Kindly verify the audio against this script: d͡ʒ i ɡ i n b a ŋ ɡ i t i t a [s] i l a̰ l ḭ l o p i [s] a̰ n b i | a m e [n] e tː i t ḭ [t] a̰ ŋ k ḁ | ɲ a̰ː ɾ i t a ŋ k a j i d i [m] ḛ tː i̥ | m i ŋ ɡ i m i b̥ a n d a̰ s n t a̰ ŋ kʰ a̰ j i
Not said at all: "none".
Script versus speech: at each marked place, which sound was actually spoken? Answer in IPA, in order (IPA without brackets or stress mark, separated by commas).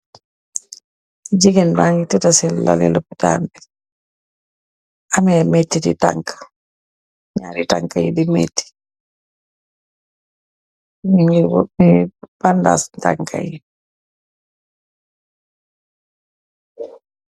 s, t, m, t, m